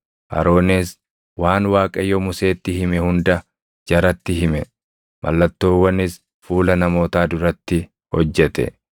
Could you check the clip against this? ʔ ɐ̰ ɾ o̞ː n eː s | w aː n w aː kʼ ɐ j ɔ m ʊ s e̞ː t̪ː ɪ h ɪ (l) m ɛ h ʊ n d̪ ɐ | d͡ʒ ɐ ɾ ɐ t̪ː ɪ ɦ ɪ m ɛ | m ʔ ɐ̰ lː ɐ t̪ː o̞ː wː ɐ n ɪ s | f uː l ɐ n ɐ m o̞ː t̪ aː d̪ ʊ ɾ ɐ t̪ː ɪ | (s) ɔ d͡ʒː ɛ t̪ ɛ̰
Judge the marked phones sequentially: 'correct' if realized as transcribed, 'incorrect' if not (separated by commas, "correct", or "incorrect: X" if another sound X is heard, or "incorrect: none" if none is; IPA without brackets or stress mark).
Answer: incorrect: none, incorrect: h